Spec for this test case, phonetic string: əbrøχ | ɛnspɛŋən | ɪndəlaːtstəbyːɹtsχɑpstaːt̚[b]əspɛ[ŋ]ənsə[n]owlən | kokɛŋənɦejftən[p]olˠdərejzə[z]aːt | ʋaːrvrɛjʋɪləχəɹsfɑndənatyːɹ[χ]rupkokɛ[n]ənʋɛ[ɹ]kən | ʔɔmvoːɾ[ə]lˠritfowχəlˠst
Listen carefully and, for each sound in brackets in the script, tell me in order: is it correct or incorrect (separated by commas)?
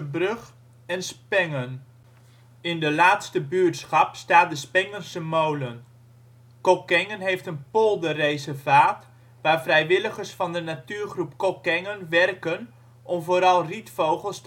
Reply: incorrect, correct, incorrect, correct, incorrect, correct, incorrect, incorrect, incorrect